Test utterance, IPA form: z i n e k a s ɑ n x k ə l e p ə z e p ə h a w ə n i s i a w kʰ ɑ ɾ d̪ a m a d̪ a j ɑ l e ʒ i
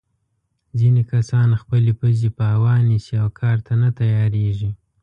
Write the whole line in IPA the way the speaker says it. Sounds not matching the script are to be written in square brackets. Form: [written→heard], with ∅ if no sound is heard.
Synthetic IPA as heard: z i n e k a s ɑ n x [k→p] ə l e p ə z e p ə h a w [ə→ɑ] n i s i a w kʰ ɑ ɾ [d̪→t̪] a [m→n] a [d̪→t̪] a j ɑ [l→ɾ] e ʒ i